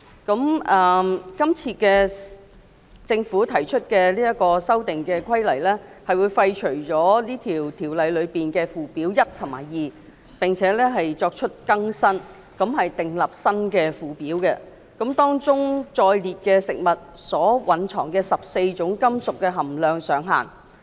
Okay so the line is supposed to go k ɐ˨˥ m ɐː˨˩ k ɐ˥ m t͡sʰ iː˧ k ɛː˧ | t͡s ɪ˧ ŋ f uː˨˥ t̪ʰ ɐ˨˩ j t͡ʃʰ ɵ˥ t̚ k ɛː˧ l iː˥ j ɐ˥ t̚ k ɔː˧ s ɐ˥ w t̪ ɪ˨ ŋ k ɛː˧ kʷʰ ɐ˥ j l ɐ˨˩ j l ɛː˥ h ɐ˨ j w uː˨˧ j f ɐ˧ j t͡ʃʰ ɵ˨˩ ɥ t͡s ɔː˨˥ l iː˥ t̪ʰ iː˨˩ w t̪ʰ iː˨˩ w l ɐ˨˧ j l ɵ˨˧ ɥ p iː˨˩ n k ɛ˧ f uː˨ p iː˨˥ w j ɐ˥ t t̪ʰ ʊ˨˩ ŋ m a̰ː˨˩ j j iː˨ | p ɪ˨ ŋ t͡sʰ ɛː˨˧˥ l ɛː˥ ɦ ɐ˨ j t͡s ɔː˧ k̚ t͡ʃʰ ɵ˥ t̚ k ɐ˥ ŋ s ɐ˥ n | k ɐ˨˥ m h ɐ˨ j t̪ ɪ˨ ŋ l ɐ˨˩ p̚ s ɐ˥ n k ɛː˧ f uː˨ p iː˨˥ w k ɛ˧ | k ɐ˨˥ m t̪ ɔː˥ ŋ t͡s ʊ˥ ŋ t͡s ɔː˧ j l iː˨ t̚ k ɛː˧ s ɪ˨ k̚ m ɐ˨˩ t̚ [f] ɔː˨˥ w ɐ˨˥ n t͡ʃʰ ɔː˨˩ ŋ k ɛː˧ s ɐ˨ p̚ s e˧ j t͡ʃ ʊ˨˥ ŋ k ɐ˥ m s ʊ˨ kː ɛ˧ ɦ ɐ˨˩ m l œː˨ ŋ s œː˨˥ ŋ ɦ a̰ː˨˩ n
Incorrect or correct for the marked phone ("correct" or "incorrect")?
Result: incorrect